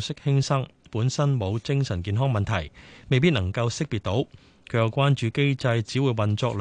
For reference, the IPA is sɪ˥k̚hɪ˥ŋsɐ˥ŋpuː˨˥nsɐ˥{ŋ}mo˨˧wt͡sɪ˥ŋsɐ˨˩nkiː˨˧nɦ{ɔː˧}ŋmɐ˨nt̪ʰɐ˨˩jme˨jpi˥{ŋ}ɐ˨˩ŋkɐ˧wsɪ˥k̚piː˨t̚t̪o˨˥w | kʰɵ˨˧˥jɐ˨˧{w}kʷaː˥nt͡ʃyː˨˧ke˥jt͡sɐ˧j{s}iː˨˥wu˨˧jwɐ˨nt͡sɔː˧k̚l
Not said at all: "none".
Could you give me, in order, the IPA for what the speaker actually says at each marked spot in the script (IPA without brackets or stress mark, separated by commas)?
n, ɔː˥, n, w, t͡s